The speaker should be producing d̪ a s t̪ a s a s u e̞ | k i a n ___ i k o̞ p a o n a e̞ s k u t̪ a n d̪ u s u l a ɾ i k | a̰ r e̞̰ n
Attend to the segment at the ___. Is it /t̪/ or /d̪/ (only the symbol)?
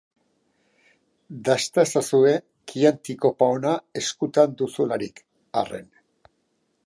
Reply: t̪